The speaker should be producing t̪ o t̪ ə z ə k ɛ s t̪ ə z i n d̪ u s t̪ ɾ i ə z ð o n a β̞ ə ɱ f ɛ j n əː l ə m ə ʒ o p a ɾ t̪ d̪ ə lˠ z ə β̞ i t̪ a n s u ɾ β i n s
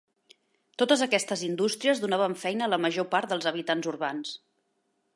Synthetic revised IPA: t̪ o t̪ ə z ə k ɛ s t̪ ə z i n d̪ u s t̪ ɾ i ə z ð u n a β̞ ə ɱ f ɛ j n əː l ə m ə ʒ o p a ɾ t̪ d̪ ə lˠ z ə β̞ i t̪ a n z u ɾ β a n s